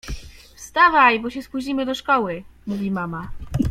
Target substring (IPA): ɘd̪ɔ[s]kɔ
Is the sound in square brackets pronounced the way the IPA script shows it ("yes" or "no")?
no